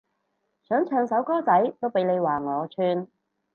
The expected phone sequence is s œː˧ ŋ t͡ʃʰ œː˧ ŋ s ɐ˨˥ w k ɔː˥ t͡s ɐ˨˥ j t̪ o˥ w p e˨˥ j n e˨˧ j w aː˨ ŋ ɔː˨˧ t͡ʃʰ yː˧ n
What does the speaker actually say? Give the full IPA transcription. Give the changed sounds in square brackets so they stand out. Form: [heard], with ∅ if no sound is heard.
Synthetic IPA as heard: s [œː˨˥] ŋ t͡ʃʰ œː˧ ŋ s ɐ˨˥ w k ɔː˥ t͡s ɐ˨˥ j t̪ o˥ w p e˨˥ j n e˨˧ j w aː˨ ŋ ɔː˨˧ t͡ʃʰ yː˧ n